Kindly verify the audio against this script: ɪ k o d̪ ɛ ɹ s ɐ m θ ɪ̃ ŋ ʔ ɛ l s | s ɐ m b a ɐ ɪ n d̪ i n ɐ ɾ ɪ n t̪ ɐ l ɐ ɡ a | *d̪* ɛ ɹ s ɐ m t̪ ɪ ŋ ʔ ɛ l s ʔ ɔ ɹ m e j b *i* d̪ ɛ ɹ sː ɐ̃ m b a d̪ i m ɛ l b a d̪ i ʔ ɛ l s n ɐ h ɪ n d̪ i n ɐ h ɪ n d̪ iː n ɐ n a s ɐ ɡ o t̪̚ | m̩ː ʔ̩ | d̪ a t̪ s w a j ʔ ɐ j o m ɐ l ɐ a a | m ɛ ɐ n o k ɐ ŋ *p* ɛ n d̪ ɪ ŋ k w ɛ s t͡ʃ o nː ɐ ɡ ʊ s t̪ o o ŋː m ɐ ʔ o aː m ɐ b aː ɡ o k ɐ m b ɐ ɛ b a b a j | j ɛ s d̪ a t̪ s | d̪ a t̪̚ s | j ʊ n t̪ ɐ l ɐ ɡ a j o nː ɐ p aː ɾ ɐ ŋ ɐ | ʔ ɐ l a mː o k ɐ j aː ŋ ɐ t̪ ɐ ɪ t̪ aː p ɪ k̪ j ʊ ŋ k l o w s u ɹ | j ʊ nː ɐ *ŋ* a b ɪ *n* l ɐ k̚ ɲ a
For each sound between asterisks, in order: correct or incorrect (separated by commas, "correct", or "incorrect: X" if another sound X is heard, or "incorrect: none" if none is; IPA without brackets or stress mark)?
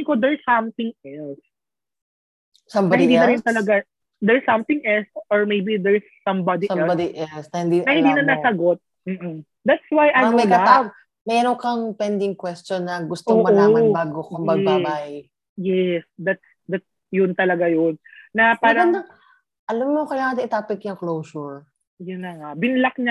correct, correct, correct, correct, correct